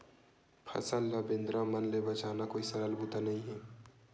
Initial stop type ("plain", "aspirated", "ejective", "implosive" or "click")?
aspirated